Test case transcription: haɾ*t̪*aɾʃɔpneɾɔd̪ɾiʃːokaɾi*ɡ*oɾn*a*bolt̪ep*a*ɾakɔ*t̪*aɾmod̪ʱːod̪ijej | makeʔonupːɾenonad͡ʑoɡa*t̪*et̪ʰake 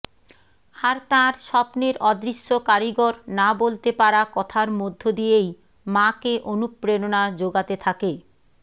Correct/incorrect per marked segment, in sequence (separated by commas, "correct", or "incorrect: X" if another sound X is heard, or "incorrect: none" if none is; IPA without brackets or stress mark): correct, correct, correct, correct, incorrect: t̪ʰ, correct